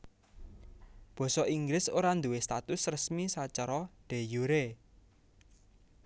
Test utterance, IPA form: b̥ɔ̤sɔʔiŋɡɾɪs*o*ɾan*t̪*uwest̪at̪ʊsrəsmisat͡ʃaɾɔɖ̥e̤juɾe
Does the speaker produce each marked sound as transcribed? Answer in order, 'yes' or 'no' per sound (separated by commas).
yes, no